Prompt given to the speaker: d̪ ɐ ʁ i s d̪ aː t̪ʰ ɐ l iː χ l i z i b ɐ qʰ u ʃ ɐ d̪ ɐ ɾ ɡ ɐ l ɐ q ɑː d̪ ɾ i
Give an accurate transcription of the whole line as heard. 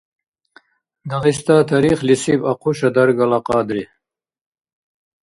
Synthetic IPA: d̪ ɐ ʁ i s t̪ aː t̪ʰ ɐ ɾ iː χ l i s i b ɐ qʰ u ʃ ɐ d̪ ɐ ɾ ɡ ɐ l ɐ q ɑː d̪ ɾ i